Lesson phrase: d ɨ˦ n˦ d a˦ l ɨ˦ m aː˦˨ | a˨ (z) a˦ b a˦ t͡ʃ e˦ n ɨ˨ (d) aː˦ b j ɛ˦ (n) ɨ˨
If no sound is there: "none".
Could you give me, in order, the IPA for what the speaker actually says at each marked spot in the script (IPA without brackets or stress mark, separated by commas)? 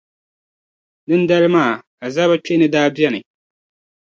z, d, n